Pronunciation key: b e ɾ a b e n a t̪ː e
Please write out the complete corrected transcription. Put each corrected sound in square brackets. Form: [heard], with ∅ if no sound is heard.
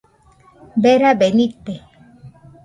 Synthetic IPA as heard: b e ɾ a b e n [i] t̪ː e